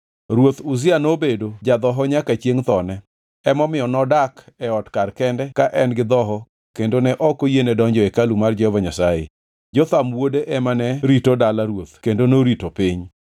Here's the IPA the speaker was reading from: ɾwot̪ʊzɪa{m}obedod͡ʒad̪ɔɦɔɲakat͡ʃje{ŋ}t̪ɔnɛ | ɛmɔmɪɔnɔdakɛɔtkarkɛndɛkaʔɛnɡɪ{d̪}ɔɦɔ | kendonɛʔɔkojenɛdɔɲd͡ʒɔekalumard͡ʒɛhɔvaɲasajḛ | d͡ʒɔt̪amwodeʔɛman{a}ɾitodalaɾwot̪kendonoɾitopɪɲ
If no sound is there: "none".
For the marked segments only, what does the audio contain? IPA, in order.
n, ŋ, d̪, ɛ

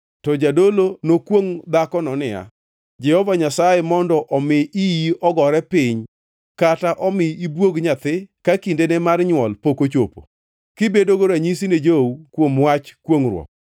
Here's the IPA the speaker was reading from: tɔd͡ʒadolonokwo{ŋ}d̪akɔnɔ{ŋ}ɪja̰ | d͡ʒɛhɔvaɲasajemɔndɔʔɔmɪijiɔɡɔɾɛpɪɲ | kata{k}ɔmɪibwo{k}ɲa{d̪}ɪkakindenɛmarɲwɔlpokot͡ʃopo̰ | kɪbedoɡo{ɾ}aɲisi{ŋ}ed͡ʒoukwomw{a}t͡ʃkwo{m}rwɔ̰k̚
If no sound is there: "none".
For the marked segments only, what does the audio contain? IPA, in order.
ŋ, n, ʔ, ɡ, t̪, ɾ, n, a, ŋ

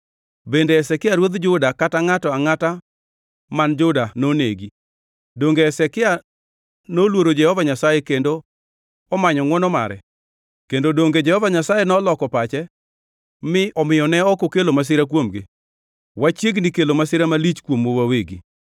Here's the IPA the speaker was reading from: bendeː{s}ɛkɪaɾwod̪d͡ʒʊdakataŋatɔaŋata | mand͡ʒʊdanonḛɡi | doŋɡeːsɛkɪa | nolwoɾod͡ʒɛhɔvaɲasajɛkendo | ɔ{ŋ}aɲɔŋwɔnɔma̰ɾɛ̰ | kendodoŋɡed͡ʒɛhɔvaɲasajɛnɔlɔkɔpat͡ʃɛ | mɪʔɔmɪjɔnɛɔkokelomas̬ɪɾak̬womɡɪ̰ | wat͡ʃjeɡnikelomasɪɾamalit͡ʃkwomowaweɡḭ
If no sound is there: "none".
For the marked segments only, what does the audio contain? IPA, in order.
s, m

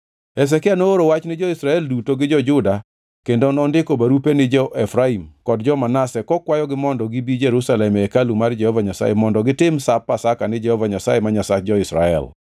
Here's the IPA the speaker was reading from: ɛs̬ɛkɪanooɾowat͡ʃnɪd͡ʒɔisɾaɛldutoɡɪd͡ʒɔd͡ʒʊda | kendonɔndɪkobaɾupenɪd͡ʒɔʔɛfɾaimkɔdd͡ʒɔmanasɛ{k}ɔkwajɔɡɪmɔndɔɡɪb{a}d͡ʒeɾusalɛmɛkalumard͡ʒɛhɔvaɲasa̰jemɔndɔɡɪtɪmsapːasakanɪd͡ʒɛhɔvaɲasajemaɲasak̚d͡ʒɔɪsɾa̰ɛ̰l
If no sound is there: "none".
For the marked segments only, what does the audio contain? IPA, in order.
k, i

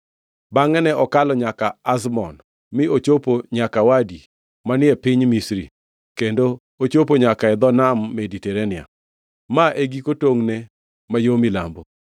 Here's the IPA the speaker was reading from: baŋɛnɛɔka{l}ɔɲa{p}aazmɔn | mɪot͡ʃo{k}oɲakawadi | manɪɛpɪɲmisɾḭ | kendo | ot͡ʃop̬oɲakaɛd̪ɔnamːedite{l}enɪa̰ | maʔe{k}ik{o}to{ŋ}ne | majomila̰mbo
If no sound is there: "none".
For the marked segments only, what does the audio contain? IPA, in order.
l, k, p, ɾ, ɡ, o, ŋ

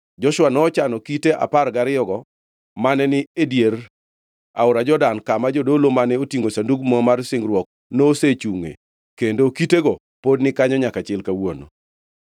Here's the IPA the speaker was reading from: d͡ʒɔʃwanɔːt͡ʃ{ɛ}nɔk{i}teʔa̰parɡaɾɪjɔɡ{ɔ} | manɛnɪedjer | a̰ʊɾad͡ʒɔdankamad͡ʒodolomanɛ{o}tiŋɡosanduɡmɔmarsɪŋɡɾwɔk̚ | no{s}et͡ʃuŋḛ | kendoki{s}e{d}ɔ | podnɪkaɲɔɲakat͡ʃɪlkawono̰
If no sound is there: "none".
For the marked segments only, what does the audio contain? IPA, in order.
a, i, ɔ, o, s, t, ɡ

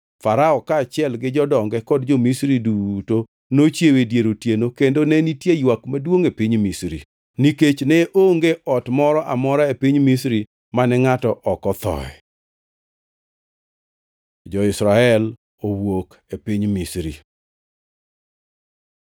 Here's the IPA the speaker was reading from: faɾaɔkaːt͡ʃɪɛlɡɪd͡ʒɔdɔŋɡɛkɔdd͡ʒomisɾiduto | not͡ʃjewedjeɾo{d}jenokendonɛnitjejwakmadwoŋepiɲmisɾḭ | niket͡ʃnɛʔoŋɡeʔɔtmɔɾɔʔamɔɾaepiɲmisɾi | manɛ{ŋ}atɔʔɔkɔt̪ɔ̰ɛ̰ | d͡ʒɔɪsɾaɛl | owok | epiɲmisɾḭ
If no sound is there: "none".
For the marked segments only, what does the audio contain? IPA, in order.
t, ŋ

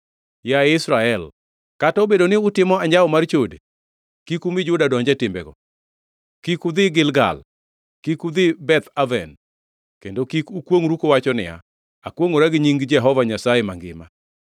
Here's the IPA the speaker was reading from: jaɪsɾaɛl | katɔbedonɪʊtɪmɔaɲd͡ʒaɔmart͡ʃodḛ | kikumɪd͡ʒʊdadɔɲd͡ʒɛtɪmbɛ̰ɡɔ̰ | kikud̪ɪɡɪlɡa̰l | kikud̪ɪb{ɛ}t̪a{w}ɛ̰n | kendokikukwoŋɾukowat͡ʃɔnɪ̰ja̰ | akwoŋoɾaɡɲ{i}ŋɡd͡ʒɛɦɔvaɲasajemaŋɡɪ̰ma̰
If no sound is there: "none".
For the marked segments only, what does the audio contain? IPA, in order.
ɛ, v, i

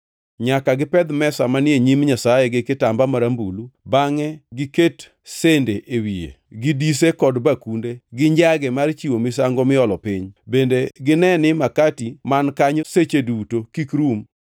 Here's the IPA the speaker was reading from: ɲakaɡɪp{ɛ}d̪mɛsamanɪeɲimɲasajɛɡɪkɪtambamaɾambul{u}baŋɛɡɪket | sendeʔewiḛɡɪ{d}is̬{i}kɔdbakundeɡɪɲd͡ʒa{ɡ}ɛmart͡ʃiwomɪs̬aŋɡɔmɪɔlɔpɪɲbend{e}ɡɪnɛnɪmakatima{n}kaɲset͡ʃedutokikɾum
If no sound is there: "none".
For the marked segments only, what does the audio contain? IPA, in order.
ɛ, u, d, e, ɡ, e, n

